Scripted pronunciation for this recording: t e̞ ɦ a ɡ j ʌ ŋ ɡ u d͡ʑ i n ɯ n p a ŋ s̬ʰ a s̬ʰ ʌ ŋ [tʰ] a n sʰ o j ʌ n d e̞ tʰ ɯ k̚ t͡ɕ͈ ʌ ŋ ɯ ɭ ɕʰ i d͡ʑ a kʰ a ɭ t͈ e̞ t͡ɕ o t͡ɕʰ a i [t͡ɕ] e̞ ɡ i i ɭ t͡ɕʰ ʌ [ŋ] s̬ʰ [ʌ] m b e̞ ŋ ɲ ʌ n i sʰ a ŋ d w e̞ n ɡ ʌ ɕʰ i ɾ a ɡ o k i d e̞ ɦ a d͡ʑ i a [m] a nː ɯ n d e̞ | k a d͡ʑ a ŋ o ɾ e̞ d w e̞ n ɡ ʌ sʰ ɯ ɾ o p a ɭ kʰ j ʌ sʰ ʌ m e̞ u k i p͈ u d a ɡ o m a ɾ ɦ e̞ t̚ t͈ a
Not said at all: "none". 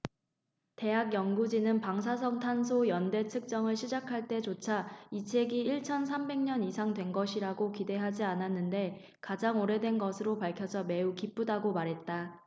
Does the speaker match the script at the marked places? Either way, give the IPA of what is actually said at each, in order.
tʰ, t͡ɕʰ, n, a, n

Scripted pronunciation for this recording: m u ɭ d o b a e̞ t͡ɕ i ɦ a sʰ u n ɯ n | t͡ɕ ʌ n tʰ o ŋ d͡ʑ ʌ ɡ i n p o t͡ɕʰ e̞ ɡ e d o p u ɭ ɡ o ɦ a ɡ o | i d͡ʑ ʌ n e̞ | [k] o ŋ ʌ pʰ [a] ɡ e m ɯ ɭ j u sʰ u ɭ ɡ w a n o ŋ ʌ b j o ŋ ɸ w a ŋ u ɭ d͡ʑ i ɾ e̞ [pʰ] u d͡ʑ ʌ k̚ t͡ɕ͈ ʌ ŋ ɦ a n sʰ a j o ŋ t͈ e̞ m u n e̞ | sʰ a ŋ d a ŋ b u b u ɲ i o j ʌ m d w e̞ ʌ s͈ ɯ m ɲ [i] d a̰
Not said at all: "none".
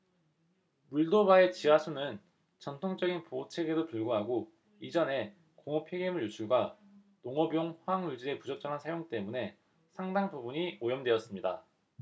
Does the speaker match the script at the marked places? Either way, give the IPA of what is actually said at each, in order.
k, e, p, i

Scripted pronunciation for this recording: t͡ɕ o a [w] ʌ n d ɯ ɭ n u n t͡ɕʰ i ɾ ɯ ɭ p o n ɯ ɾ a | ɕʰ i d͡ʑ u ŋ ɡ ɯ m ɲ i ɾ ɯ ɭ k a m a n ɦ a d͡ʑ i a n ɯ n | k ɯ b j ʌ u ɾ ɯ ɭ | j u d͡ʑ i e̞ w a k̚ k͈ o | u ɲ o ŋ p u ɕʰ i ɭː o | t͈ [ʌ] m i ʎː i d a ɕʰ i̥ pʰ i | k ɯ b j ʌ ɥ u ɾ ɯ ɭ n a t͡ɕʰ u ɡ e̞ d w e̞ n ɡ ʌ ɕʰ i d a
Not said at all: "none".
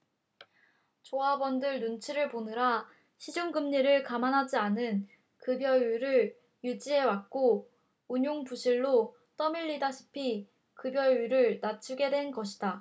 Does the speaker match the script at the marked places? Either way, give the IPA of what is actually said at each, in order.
b, ʌ

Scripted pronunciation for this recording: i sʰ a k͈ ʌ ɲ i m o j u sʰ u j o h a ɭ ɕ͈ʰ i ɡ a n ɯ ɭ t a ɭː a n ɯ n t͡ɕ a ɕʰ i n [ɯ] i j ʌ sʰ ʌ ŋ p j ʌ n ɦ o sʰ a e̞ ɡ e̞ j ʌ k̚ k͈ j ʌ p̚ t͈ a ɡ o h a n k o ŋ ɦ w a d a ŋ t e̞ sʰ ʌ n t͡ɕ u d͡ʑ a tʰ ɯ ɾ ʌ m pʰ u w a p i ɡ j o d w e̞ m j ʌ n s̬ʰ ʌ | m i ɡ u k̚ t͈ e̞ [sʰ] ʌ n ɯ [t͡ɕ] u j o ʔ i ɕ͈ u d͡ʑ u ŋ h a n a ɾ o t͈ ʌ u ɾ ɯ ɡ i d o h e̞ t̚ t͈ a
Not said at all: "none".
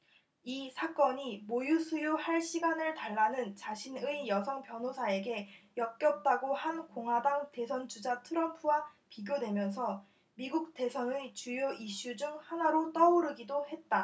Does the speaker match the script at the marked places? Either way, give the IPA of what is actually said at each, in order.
ɯ, sʰ, t͡ɕ

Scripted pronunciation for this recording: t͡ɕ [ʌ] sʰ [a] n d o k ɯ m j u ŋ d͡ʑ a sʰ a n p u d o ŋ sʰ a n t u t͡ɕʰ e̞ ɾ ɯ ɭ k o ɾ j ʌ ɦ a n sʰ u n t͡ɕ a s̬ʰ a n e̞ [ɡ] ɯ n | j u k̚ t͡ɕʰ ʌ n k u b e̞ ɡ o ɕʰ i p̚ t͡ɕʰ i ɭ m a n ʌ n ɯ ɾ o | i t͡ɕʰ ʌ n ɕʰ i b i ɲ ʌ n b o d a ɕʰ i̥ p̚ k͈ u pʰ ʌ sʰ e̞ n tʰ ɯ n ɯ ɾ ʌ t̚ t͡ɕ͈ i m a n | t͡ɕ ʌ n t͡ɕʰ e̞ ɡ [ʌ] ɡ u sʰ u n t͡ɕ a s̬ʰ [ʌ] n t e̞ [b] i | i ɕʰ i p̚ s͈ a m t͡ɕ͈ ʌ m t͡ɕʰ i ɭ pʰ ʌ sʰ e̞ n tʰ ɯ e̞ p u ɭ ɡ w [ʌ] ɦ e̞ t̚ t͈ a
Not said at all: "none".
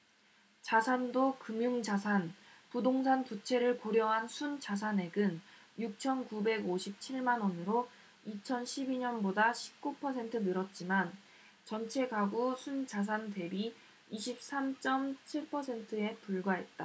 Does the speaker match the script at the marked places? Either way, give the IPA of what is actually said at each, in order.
a, a, ɡ, a, a, b, a

